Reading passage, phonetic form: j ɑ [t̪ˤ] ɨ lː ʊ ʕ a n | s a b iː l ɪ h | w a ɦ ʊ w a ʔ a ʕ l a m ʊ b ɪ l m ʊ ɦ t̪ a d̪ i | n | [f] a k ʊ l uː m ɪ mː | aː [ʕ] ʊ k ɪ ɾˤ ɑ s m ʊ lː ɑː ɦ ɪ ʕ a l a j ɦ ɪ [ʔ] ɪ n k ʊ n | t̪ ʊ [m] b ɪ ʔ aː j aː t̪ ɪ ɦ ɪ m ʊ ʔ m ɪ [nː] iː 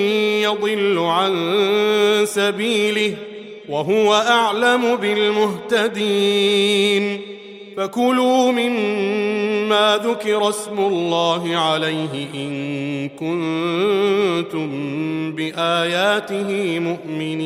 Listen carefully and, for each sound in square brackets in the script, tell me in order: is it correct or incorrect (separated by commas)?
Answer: incorrect, correct, incorrect, correct, correct, incorrect